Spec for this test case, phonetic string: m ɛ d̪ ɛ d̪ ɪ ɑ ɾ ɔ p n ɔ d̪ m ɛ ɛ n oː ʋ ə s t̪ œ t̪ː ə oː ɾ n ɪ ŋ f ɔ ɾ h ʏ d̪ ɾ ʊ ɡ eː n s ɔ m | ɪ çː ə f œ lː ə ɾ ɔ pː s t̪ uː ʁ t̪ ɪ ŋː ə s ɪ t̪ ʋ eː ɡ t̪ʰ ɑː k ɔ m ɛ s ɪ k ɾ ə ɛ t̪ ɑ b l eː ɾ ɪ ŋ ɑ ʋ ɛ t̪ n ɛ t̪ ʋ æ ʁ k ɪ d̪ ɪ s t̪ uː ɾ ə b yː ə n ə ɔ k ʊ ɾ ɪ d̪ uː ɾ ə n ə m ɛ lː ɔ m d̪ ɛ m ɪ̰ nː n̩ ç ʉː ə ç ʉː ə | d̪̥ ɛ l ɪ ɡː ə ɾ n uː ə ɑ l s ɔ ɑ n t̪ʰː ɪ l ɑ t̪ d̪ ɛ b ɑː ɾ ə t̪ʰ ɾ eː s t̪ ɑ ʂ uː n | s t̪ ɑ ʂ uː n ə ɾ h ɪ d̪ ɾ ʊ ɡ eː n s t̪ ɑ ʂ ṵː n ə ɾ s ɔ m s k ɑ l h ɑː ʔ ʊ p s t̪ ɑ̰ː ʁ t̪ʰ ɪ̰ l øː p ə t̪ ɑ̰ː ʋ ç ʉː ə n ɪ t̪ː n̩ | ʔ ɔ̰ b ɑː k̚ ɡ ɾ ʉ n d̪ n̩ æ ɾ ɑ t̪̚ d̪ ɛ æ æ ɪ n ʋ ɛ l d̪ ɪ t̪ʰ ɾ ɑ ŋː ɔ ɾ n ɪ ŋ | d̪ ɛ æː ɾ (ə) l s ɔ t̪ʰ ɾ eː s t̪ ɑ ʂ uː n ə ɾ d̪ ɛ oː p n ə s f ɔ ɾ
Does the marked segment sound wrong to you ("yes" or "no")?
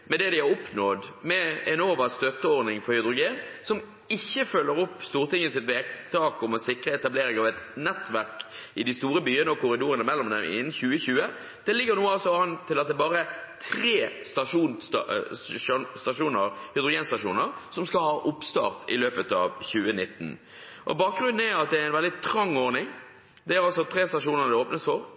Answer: yes